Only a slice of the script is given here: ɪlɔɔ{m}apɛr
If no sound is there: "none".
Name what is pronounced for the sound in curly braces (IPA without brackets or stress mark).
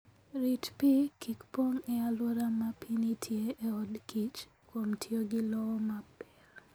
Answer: m